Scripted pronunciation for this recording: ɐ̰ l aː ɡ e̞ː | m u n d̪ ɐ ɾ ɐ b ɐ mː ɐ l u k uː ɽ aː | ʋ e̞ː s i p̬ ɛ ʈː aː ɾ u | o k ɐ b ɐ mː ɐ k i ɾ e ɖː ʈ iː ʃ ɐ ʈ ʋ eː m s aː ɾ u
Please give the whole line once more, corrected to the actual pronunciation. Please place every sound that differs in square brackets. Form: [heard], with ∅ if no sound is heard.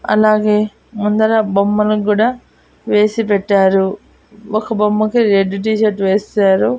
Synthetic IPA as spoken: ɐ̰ l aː ɡ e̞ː | m u n d̪ ɐ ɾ ɐ b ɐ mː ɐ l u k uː ɽ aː | ʋ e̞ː s i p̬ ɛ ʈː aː ɾ u | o k ɐ b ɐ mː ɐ k i ɾ e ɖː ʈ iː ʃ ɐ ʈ ʋ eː [∅] s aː ɾ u